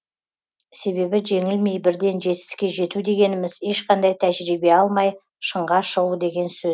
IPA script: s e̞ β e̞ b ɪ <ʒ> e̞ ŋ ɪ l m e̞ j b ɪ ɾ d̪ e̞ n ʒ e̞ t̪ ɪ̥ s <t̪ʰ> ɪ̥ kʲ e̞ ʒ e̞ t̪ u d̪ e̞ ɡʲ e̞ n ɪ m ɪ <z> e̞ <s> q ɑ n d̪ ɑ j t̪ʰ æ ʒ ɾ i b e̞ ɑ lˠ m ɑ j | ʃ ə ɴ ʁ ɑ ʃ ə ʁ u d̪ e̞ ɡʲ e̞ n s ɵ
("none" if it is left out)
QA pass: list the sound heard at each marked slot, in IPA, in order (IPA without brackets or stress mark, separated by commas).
ʒ, t̪, z, ʃ